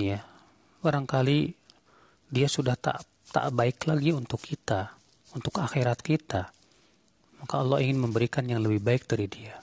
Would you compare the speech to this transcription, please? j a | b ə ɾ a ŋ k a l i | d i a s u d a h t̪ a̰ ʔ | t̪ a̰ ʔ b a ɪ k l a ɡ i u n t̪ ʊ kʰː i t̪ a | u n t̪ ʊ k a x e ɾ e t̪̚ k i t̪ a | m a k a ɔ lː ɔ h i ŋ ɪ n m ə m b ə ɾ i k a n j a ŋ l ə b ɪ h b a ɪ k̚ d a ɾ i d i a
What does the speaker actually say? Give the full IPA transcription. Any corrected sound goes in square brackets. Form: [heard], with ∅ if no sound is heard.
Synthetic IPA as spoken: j a | b [a] ɾ a ŋ k a l i | d i a s u d a h t̪ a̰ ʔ | t̪ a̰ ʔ b a ɪ k l a ɡ i u n t̪ ʊ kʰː i t̪ a | u n t̪ ʊ k a x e ɾ [a] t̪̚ k i t̪ a | m a k a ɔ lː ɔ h i ŋ ɪ n m ə m b ə ɾ i k a n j a ŋ l ə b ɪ h b a ɪ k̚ d a ɾ i d i a